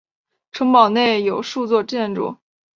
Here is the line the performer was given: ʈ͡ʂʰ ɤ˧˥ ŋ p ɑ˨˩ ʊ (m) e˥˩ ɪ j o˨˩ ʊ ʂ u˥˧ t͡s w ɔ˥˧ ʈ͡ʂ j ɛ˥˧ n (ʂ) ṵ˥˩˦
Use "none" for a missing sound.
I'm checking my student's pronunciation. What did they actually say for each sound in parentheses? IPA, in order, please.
n, ʈ͡ʂ

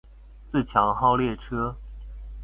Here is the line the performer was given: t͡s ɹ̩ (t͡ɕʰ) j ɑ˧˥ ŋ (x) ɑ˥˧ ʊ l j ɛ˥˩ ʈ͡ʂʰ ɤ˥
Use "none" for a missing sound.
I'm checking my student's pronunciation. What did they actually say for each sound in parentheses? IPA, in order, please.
t͡ɕʰ, x

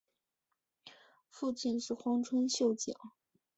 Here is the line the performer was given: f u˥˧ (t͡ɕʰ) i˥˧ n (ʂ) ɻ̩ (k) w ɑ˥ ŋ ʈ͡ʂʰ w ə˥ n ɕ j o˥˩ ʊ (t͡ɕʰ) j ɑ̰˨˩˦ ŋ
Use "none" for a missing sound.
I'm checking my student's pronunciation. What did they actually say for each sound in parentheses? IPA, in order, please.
t͡ɕ, ʂ, x, t͡ɕ

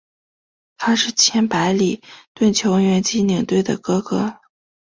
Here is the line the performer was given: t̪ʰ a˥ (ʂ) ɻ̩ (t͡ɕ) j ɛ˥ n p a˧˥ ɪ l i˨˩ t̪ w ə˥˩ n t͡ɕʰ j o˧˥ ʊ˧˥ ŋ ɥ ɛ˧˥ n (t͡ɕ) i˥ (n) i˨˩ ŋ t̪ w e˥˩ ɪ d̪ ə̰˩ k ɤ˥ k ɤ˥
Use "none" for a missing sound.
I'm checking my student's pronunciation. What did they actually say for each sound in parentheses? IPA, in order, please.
ʂ, t͡ɕʰ, t͡ɕ, n

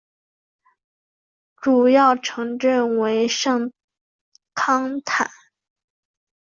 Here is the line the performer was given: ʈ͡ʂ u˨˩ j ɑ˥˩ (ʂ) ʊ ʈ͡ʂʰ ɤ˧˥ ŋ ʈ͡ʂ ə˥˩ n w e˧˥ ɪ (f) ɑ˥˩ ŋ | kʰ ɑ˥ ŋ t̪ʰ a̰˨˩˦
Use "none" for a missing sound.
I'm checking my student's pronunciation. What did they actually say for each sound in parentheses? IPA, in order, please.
none, ʂ

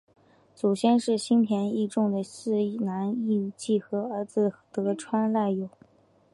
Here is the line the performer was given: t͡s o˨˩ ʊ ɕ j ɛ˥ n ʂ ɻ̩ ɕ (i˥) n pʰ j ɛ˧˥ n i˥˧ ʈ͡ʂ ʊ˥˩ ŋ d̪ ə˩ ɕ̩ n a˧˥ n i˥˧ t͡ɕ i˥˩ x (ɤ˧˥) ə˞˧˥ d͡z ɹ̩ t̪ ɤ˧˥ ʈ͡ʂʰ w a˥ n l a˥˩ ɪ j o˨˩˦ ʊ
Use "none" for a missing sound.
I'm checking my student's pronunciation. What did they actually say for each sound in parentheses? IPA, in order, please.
i˥, ɤ˧˥

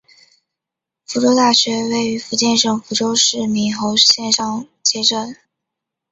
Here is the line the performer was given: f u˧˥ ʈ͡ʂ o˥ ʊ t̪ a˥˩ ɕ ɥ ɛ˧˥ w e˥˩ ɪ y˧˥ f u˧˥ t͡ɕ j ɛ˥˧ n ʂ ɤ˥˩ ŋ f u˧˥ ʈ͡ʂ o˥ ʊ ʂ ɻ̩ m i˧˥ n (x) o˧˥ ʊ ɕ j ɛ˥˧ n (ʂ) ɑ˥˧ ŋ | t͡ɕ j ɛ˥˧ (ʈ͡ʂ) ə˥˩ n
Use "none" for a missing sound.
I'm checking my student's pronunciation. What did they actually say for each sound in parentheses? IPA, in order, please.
x, ʂ, ʈ͡ʂ

